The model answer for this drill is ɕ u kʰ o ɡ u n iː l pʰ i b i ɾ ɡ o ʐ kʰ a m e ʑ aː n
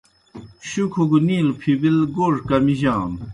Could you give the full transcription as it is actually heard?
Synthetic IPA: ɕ u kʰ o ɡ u n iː l pʰ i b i l ɡ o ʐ k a m i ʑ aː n